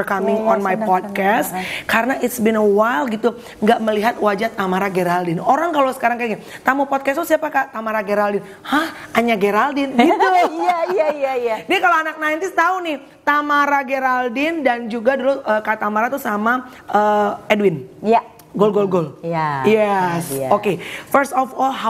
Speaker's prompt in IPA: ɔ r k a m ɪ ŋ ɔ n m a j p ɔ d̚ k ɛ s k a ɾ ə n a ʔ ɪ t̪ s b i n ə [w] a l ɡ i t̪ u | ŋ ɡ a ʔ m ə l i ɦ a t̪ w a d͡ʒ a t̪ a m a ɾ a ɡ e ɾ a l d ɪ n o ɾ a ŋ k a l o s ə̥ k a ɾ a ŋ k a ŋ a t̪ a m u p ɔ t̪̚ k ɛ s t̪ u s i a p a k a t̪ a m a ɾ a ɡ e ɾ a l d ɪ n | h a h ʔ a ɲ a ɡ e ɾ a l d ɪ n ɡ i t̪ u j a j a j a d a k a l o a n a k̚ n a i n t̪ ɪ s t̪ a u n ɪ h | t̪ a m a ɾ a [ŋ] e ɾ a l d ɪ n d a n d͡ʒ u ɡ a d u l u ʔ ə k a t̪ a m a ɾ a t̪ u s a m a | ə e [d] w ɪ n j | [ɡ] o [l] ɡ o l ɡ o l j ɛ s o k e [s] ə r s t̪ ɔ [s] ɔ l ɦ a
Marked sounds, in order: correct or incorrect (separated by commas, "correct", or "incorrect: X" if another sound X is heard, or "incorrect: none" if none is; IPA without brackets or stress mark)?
correct, incorrect: ɡ, correct, correct, correct, incorrect: f, incorrect: f